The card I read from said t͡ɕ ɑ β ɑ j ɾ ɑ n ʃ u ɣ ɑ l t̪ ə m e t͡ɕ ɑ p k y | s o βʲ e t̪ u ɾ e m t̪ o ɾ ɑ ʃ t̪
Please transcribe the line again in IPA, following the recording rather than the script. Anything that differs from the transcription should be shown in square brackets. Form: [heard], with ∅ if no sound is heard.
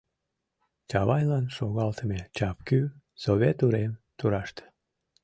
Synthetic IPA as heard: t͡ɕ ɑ β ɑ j [l] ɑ n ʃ [o] ɣ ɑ l t̪ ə m e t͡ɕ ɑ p k y | s o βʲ e t̪ u ɾ e m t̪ [u] ɾ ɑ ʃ t̪

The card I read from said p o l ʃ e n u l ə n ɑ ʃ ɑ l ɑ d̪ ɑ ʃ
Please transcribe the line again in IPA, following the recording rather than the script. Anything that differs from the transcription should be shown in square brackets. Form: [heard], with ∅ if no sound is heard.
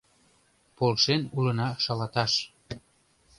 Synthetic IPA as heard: p o l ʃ e n u l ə n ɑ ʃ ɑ l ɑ [t̪] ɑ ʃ

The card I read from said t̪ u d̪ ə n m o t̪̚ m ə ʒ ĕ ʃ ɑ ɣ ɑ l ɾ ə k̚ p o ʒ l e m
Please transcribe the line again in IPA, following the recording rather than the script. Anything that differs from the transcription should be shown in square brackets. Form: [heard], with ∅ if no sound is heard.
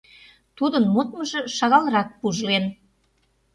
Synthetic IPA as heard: t̪ u d̪ ə n m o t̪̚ m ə ʒ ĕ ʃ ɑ ɣ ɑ l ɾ [ɑ] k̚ p [u] ʒ l e [n]

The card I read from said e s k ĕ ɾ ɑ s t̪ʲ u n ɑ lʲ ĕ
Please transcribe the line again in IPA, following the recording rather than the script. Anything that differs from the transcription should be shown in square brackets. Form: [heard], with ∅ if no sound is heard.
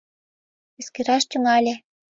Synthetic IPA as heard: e s k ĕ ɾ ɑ [ʃ] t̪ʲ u [m] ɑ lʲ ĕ

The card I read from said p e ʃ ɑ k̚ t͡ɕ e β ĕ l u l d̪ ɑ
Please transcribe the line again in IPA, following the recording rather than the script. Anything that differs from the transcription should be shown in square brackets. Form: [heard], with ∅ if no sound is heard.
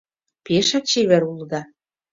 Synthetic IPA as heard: p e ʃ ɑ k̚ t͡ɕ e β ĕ [ɾ] u l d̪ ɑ

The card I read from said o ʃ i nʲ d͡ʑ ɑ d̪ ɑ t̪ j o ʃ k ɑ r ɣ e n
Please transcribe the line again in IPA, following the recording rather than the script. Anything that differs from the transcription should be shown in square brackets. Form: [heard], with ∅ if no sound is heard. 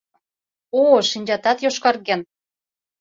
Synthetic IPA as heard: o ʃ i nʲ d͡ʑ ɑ [t̪] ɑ t̪ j o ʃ k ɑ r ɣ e n

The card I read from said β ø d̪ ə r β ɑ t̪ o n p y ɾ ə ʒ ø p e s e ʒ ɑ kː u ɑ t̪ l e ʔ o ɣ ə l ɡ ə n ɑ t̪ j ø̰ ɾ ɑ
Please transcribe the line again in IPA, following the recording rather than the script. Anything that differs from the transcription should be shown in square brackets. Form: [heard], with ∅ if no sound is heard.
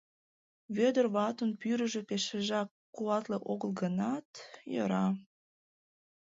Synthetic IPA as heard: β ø d̪ ə r β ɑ t̪ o n p y ɾ ə ʒ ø p e [ʃ] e ʒ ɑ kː u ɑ t̪ l e ʔ o ɣ ə l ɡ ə n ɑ t̪ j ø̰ ɾ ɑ

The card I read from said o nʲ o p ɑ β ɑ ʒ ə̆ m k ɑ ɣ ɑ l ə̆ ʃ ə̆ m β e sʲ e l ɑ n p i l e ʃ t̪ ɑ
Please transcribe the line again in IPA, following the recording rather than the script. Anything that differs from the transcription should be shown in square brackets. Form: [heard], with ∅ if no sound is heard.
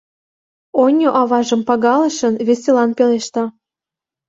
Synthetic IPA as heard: o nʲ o [ʔ] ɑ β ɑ ʒ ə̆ m [p] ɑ ɣ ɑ l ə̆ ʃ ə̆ [n] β e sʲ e l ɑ n p [e] l e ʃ t̪ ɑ

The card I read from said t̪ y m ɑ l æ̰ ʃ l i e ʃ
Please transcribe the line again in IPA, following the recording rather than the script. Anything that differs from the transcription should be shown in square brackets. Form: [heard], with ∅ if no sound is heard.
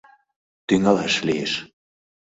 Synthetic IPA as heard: t̪ y [ŋ] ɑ l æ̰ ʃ l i e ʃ

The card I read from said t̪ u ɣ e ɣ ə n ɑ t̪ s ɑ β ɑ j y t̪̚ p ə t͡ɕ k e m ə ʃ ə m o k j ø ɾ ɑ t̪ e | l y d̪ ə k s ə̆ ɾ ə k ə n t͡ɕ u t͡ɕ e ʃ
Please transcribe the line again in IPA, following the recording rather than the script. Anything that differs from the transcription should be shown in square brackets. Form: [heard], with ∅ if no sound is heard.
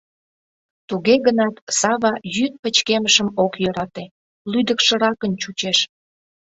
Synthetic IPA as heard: t̪ u ɣ e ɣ ə n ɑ t̪ s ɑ β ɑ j y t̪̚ p ə t͡ɕ k e m ə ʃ ə m o k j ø ɾ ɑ t̪ e | l y d̪ ə k [ʃ] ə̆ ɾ [ɑ] k ə n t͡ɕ u t͡ɕ e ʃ

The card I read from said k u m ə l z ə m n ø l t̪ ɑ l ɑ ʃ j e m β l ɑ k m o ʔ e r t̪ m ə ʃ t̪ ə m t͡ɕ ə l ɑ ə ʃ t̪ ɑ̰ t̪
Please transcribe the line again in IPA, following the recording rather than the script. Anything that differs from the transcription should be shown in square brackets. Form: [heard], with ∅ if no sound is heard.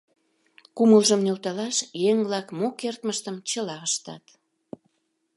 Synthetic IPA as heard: k u m ə l [ʒ] ə m n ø l t̪ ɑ l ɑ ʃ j e [ŋ] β l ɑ k m o [k] e r t̪ m ə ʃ t̪ ə m t͡ɕ ə l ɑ ə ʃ t̪ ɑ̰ t̪

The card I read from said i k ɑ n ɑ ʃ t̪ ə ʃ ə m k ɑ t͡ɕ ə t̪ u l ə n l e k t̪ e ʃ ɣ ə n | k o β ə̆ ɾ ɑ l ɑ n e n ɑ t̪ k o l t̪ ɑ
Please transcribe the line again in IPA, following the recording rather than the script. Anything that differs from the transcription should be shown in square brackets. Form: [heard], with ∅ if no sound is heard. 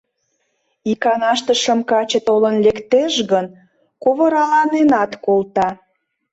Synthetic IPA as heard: i k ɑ n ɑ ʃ t̪ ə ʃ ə m k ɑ t͡ɕ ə t̪ [o] l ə n l e k t̪ e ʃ ɣ ə n | k o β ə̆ ɾ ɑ l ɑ n e n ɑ t̪ k o l t̪ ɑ

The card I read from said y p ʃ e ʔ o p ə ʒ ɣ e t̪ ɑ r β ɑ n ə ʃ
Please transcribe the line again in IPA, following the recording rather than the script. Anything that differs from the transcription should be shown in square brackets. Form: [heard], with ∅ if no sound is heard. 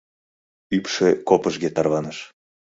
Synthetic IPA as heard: y p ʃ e [k] o p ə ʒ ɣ e t̪ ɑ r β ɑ n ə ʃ

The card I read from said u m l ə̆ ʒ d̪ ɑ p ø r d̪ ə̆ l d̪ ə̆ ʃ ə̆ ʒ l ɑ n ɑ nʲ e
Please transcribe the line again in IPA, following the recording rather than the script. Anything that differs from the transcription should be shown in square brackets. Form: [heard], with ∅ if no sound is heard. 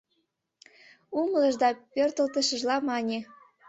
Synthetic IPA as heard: u m l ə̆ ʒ d̪ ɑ p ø r [t̪] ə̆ l [t̪] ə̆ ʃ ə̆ ʒ l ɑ [m] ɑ nʲ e

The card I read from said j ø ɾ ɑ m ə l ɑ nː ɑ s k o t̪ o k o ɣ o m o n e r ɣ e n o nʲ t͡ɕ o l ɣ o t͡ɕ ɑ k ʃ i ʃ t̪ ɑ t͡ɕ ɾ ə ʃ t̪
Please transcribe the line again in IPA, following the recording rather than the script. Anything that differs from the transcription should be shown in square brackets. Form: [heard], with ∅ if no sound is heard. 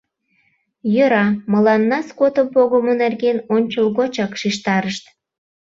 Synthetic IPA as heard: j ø ɾ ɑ m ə l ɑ nː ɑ s k o t̪ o [p] o ɣ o m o n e r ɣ e n o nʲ t͡ɕ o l ɣ o t͡ɕ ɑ k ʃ i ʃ t̪ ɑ [∅] ɾ ə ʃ t̪

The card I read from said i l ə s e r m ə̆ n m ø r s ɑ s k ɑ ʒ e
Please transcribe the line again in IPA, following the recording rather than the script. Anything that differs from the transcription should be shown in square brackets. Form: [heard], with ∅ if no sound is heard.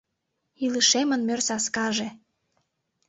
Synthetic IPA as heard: i l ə [ʃ] e [∅] m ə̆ n m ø r s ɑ s k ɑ ʒ e

